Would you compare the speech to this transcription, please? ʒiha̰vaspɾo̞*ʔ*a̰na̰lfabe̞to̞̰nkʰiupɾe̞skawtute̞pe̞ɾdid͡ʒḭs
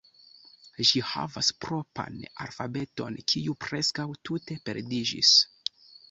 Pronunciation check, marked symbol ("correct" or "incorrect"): incorrect